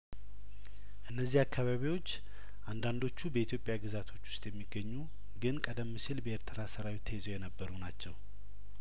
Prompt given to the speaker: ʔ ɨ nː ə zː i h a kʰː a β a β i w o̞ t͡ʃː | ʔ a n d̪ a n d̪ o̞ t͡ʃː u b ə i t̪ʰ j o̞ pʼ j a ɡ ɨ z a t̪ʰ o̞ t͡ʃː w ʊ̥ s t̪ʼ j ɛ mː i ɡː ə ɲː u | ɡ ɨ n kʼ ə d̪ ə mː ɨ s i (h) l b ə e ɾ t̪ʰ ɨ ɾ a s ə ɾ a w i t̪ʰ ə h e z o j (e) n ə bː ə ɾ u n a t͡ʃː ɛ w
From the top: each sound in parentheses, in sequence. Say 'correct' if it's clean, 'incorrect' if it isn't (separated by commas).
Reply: incorrect, incorrect